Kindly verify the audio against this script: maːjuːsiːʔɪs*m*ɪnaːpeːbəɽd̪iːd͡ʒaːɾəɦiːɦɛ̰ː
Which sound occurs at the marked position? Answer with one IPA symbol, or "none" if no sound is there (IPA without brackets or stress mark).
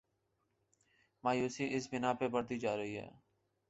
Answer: b